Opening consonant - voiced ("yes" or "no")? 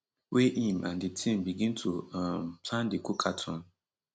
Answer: yes